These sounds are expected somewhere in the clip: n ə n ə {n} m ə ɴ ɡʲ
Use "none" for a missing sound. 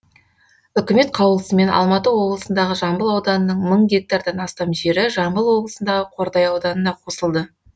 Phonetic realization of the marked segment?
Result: ɴ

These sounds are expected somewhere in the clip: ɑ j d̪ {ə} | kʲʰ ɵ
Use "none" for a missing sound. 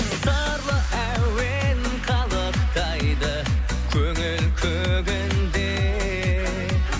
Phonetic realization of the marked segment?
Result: ə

